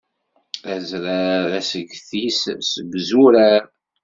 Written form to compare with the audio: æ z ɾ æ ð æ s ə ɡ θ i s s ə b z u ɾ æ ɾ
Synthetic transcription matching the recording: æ z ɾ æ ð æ s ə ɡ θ i s s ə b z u ɾ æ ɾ